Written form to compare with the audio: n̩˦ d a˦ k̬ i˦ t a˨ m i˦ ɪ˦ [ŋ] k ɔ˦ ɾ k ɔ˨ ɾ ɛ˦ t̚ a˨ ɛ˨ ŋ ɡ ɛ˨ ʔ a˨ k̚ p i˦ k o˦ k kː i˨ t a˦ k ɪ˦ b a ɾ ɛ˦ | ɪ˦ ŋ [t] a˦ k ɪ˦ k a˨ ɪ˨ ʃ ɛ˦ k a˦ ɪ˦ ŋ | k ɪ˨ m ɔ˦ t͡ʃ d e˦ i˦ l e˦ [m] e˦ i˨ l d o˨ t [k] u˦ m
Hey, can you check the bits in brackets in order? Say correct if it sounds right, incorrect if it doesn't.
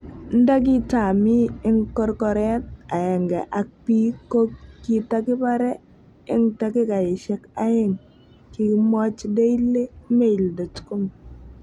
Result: correct, correct, correct, correct

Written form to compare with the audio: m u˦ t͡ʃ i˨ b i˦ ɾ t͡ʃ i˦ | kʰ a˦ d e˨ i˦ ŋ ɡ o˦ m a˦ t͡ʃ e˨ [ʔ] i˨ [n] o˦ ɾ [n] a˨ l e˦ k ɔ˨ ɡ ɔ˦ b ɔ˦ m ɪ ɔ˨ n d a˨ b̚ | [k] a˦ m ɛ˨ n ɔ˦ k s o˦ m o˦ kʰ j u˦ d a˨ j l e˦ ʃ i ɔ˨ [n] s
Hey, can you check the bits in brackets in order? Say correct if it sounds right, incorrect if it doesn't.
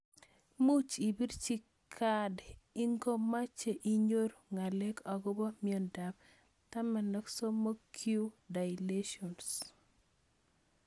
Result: correct, incorrect: ɲ, incorrect: ŋ, incorrect: t, correct

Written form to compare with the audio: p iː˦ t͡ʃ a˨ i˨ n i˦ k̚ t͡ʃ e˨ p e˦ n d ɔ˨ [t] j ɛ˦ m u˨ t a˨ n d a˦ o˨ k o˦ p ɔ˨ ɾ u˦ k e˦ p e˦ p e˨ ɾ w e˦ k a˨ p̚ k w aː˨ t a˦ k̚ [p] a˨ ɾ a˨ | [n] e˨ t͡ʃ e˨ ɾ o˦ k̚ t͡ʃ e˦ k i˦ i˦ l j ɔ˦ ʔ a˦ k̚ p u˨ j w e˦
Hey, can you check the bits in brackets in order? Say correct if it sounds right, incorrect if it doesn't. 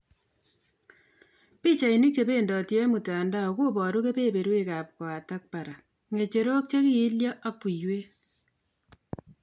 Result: correct, correct, incorrect: ŋ

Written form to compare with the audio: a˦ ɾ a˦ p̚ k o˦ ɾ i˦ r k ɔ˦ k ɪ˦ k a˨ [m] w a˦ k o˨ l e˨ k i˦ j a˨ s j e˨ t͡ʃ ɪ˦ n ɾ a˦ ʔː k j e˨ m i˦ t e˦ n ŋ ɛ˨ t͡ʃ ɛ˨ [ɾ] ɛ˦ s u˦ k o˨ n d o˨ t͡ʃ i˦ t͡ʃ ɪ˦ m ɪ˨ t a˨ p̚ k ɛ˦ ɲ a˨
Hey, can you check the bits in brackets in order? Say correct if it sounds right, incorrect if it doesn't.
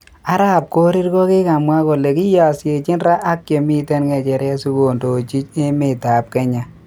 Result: correct, correct

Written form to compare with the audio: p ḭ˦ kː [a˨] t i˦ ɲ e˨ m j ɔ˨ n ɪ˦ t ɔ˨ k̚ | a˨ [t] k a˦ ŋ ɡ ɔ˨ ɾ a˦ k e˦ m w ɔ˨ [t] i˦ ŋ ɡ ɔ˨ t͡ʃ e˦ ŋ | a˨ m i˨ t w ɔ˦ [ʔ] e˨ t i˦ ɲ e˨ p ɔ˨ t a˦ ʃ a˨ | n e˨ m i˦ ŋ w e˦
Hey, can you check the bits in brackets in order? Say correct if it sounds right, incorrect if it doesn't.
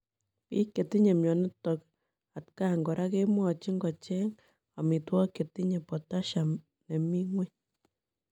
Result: incorrect: e˨, correct, incorrect: t͡ʃ, incorrect: k

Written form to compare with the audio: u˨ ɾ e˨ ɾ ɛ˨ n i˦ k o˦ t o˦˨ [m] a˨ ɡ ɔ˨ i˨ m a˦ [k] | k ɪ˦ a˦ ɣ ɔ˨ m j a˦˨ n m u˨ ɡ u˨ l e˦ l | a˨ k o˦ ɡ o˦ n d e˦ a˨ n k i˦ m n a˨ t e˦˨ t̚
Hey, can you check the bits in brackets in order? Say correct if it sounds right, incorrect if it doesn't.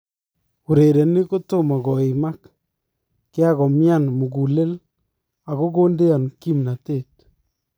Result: correct, correct

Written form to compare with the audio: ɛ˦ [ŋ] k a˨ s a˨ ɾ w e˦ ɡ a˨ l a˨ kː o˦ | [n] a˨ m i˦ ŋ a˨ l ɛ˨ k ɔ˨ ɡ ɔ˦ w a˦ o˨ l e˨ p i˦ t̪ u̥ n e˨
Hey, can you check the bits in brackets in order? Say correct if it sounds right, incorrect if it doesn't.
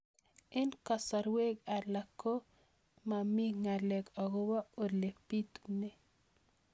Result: incorrect: n, incorrect: m

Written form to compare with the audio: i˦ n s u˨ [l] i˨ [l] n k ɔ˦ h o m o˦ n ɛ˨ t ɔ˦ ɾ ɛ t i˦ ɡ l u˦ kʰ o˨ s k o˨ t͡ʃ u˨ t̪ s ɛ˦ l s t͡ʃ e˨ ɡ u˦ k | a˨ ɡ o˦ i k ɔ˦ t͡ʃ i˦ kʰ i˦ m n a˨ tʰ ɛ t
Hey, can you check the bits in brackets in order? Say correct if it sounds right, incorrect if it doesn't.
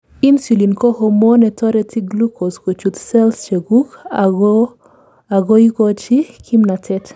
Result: correct, incorrect: none

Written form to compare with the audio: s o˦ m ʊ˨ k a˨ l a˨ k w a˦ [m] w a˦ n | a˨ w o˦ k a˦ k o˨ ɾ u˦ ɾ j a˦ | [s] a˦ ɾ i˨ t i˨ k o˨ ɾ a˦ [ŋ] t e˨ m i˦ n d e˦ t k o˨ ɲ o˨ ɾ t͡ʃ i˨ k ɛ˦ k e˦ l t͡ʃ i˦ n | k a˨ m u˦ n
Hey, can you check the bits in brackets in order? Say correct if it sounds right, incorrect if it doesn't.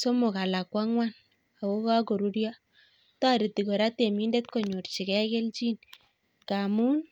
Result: incorrect: ŋ, incorrect: t, incorrect: none

